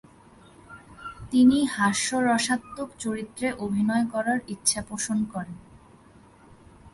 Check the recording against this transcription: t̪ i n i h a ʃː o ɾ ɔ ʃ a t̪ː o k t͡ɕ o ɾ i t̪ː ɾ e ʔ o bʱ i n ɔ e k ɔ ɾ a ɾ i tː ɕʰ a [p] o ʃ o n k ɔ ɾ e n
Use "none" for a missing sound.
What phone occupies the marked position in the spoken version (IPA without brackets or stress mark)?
p